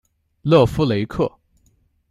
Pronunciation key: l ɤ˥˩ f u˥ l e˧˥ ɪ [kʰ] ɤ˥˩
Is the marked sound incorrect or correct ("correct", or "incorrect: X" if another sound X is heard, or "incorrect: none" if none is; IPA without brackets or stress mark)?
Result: correct